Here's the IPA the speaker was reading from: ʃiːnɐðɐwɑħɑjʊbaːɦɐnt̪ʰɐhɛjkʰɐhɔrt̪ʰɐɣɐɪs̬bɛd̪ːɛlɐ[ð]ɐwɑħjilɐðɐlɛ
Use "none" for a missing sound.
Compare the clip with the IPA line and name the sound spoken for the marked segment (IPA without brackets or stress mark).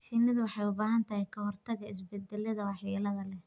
ð